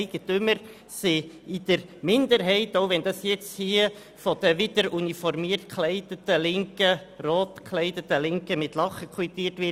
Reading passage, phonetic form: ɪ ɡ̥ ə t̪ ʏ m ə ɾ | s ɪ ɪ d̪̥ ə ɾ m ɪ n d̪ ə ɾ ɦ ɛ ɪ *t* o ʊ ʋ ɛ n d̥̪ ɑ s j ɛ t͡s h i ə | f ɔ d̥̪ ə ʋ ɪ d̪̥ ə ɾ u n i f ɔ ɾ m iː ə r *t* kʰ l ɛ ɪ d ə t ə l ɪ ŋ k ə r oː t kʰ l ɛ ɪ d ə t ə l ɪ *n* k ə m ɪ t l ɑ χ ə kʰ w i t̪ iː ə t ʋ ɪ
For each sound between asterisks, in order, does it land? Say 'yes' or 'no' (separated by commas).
yes, yes, no